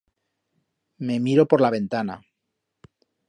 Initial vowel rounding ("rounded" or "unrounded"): unrounded